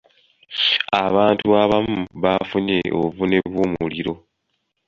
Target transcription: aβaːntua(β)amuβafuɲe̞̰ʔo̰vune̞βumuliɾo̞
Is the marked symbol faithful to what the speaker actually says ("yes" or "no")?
yes